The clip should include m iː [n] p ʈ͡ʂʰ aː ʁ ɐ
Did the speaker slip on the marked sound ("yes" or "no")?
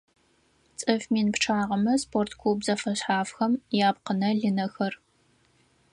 no